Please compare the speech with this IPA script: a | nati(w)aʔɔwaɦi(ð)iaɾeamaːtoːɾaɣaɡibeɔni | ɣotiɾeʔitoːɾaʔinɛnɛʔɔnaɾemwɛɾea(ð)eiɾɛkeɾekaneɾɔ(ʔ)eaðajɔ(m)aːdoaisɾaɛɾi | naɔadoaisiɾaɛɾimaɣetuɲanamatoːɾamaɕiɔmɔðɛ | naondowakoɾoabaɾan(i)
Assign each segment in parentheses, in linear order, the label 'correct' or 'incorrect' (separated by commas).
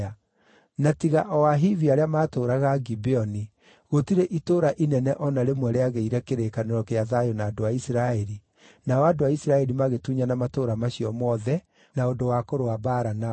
incorrect, incorrect, incorrect, incorrect, incorrect, incorrect